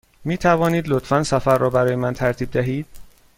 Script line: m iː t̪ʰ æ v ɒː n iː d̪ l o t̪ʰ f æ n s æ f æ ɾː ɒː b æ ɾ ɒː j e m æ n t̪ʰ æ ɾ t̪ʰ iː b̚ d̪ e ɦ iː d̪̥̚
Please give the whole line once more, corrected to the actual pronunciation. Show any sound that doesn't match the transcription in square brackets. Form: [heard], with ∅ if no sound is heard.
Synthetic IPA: m iː t̪ʰ æ v ɒː n iː d̪ l o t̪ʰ f æ n s æ f æ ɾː ɒː b æ ɾ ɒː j e m æ n t̪ʰ æ ɾ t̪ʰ iː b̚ d̪ [æ] ɦ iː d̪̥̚